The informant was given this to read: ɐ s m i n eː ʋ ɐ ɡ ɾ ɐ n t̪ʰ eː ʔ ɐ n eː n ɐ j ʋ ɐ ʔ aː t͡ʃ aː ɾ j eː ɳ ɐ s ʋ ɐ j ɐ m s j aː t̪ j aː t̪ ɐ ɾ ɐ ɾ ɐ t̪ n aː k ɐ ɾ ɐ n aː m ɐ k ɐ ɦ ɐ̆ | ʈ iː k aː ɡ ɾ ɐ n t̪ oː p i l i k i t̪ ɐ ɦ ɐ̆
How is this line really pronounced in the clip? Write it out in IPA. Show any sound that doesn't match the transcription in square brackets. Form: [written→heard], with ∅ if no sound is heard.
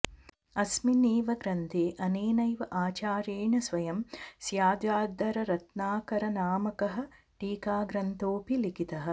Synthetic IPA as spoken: ɐ s m i n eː ʋ ɐ ɡ ɾ ɐ n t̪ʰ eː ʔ ɐ n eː n ɐ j ʋ ɐ ʔ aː t͡ʃ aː ɾ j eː ɳ ɐ s ʋ ɐ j ɐ m s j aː [t̪→d̪] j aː [t̪→d̪] ɐ ɾ ɐ ɾ ɐ t̪ n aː k ɐ ɾ ɐ n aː m ɐ k ɐ ɦ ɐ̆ | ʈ iː k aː ɡ ɾ ɐ n t̪ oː p i l i k i t̪ ɐ ɦ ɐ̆

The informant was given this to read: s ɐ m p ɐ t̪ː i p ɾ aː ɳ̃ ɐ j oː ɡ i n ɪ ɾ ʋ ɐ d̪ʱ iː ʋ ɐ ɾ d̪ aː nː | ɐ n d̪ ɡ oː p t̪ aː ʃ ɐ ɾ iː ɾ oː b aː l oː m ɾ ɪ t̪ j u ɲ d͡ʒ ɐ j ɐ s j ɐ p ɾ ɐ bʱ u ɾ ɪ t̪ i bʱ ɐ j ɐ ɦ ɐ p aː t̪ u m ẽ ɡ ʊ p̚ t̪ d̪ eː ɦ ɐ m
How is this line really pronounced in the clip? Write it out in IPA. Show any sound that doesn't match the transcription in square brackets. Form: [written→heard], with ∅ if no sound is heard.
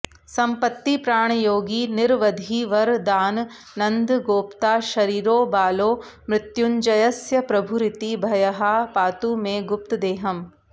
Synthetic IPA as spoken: s ɐ m p ɐ t̪ː i p ɾ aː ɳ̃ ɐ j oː ɡ i n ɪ ɾ ʋ ɐ d̪ʱ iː ʋ ɐ ɾ d̪ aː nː | ɐ n d̪ ɡ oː p t̪ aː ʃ ɐ ɾ iː ɾ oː b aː l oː m ɾ ɪ t̪ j u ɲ d͡ʒ ɐ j ɐ s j ɐ p ɾ ɐ bʱ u ɾ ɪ t̪ i bʱ ɐ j ɐ ɦ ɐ p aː t̪ u m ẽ ɡ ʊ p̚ t̪ d̪ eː ɦ ɐ m

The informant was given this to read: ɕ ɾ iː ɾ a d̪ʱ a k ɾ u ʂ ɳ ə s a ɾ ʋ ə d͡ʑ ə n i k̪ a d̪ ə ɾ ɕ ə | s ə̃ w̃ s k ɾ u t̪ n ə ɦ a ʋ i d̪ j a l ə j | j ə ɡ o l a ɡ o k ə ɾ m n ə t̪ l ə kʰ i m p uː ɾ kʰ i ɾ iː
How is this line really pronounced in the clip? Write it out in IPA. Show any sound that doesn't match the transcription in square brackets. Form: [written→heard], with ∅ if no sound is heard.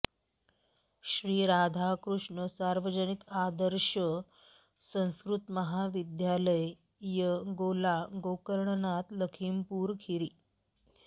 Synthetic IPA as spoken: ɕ ɾ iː ɾ a d̪ʱ a k ɾ u ʂ ɳ ə s a ɾ ʋ ə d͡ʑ ə n i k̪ a d̪ ə ɾ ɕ ə | s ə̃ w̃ s k ɾ u t̪ [n→m] ə ɦ a ʋ i d̪ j a l ə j | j ə ɡ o l a ɡ o k ə ɾ [m→ɳ] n [ə→a] t̪ l ə kʰ i m p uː ɾ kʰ i ɾ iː

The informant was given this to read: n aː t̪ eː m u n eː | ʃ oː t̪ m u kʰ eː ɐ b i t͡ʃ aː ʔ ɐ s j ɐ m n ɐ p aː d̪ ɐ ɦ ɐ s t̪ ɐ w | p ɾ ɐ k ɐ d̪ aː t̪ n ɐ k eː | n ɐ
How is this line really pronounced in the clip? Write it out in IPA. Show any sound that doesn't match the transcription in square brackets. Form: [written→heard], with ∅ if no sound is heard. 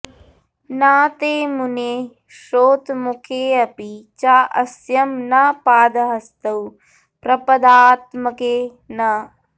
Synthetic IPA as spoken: n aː t̪ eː m u n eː | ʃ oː t̪ m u kʰ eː ɐ [b→p] i t͡ʃ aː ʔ ɐ s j ɐ m n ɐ p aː d̪ ɐ ɦ ɐ s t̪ ɐ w | p ɾ ɐ [k→p] ɐ d̪ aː t̪ [n→m] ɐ k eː | n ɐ

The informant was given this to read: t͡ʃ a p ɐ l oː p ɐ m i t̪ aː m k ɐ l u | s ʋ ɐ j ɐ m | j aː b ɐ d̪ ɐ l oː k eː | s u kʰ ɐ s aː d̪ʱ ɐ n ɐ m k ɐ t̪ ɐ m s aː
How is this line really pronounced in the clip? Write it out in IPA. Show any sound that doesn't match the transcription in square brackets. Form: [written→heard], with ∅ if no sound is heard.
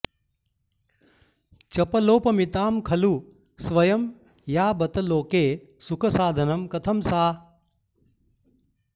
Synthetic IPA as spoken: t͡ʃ [a→ɐ] p ɐ l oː p ɐ m i t̪ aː m [k→kʰ] ɐ l u | s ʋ ɐ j ɐ m | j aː b ɐ [d̪→t̪] ɐ l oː k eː | s u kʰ ɐ s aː d̪ʱ ɐ n ɐ m k ɐ [t̪→t̪ʰ] ɐ m s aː

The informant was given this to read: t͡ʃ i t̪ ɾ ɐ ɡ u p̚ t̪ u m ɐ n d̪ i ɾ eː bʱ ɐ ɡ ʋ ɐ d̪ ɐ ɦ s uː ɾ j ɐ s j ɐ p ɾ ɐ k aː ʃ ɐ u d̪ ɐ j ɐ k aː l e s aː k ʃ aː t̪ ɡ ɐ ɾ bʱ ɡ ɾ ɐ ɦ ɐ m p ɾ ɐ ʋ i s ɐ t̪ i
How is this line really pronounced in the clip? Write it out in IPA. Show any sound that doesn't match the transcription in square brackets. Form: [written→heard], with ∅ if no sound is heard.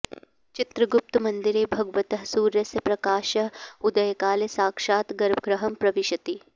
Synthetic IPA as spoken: t͡ʃ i t̪ ɾ ɐ ɡ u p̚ t̪ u m ɐ n d̪ i ɾ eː bʱ ɐ ɡ ʋ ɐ [d̪→t̪] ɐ ɦ s uː ɾ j ɐ s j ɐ p ɾ ɐ k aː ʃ ɐ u d̪ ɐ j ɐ k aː l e s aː k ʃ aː t̪ ɡ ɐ ɾ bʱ ɡ ɾ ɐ ɦ ɐ m p ɾ ɐ ʋ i [s→ʃ] ɐ t̪ i

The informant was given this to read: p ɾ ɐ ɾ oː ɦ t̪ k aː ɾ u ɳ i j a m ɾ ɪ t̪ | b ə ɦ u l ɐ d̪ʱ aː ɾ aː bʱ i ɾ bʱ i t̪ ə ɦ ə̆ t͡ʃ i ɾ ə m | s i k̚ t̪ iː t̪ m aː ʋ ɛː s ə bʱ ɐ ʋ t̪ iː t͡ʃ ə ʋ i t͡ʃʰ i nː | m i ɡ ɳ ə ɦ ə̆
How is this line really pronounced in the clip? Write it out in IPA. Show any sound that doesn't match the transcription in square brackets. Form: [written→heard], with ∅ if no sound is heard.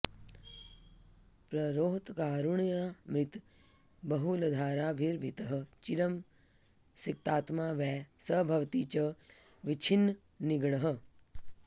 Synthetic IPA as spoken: p ɾ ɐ ɾ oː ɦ t̪ k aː ɾ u ɳ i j a m ɾ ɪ t̪ | b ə ɦ u l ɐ d̪ʱ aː ɾ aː bʱ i ɾ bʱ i t̪ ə ɦ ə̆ t͡ʃ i ɾ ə m | s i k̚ t̪ [iː→aː] t̪ m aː ʋ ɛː s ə bʱ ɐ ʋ t̪ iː t͡ʃ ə ʋ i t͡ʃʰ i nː | [m→n] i ɡ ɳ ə ɦ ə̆

